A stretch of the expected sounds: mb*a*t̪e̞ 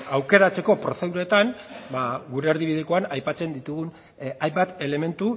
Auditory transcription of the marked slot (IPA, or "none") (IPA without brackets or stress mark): a